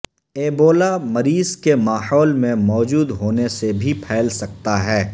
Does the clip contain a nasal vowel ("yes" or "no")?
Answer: yes